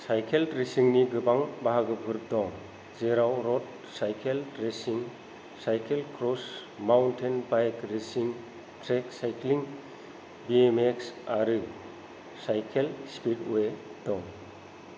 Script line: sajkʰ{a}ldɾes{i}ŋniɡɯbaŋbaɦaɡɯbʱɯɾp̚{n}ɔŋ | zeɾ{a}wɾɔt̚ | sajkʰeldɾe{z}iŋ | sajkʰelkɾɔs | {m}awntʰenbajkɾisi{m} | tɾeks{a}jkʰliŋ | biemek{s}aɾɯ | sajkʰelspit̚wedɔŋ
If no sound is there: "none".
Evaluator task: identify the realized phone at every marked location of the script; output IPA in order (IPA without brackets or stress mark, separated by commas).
e, i, d, a, s, m, ŋ, a, s